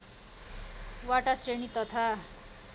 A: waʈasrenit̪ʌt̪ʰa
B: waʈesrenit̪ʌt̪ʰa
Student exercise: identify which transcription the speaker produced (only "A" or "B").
A